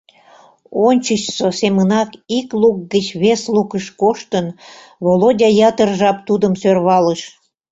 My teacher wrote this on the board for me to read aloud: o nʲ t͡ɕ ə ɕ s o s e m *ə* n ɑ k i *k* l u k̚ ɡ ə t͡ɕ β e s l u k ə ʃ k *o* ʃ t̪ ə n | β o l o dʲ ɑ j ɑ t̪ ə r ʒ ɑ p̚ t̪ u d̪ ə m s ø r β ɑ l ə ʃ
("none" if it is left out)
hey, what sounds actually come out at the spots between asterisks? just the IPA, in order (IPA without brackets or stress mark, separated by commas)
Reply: ə, k, o